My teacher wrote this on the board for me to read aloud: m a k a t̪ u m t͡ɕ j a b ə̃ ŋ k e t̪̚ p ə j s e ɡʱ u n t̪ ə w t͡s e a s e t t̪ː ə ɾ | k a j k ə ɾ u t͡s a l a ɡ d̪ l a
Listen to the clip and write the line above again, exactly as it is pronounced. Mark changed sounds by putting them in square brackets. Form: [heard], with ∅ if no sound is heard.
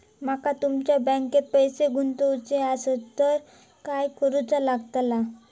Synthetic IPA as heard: m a k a t̪ u m t͡ɕ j a b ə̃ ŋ k e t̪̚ p ə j s e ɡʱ u n t̪ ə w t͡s e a s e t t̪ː ə ɾ | k a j k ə ɾ u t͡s a l a ɡ [t̪] l a